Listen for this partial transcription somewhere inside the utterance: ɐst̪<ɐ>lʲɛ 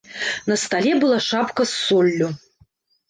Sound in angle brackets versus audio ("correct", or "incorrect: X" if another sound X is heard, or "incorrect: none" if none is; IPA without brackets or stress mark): incorrect: a